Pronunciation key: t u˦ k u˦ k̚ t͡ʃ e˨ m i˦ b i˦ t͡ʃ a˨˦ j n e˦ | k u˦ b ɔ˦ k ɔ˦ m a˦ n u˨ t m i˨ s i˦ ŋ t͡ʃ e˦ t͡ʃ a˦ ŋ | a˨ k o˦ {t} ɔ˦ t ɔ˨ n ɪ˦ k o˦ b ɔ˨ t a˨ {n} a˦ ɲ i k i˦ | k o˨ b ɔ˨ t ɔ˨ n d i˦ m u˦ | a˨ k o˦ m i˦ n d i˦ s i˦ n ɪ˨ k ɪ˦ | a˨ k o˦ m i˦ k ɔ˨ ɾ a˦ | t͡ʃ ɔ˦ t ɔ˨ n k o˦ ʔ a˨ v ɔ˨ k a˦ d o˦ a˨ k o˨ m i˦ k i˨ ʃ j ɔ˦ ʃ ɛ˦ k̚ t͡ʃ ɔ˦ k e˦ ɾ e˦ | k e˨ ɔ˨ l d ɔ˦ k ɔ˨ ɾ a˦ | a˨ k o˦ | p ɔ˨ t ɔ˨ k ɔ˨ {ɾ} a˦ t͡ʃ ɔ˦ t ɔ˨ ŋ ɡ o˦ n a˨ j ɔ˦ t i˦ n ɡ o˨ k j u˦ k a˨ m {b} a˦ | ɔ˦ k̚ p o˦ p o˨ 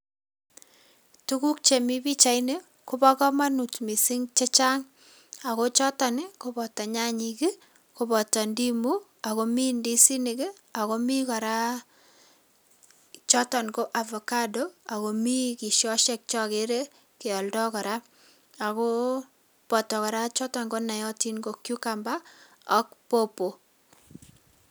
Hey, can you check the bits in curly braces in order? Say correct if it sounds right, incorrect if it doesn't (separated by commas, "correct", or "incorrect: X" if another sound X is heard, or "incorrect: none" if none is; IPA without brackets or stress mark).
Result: incorrect: t͡ʃ, incorrect: ɲ, correct, correct